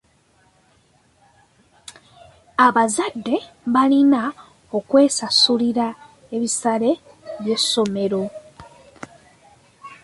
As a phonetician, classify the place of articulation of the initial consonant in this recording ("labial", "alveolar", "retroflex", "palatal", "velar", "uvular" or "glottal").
labial